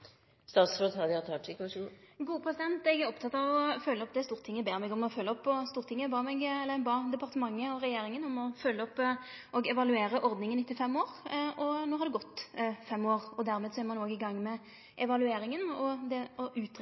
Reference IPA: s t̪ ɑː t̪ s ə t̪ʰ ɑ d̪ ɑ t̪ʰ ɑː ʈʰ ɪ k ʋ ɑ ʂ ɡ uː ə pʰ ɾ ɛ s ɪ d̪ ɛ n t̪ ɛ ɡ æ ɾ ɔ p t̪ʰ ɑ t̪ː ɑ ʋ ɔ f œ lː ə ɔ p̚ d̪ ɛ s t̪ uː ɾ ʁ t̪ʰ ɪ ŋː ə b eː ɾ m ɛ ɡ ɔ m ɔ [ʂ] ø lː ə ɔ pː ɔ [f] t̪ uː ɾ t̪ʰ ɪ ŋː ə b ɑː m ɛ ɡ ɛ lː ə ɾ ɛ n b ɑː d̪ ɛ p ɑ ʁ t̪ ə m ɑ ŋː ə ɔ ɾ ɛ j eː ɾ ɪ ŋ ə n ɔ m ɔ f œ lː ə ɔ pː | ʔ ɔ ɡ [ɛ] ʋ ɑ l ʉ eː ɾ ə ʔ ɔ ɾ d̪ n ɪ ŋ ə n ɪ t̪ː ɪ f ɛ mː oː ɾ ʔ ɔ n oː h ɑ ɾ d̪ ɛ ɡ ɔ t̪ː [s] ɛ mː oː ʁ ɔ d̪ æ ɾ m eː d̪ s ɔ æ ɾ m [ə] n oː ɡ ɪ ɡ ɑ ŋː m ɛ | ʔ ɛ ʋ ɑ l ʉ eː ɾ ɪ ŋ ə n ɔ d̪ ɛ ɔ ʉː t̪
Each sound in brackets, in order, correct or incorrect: incorrect: f, incorrect: s, correct, incorrect: f, incorrect: ɑ

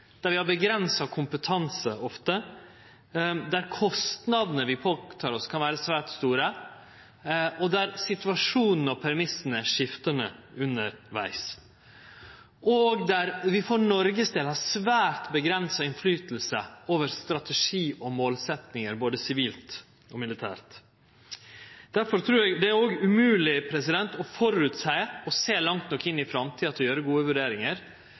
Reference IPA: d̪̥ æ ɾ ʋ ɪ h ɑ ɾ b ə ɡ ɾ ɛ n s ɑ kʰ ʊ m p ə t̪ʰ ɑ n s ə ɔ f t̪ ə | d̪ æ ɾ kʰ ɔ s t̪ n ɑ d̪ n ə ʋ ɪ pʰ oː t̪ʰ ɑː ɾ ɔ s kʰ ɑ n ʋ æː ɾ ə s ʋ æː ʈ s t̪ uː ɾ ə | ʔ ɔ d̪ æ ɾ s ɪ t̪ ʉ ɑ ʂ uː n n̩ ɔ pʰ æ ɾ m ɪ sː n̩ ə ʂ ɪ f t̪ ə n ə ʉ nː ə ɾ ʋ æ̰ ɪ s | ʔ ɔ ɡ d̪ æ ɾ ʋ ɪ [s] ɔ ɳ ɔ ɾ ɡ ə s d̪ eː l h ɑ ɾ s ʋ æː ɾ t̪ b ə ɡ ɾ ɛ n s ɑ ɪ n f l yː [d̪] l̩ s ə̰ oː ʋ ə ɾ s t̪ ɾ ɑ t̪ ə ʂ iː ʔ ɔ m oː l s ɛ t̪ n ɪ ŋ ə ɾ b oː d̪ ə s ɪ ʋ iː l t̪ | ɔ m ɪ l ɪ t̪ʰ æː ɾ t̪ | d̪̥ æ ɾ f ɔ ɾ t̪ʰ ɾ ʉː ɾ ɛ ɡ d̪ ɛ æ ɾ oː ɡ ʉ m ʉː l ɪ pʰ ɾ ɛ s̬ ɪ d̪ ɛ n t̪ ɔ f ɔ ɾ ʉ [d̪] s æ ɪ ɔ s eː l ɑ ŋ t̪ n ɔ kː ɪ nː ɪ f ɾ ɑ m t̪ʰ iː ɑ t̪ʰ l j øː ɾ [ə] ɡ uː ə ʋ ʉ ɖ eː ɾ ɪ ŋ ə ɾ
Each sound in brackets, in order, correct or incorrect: incorrect: f, incorrect: t̪, incorrect: t̪, correct

